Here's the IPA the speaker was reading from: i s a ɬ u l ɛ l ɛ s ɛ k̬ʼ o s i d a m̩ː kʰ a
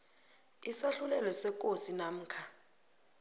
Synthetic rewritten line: i s a ɬ u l ɛ l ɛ s ɛ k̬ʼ o s i n a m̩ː kʰ a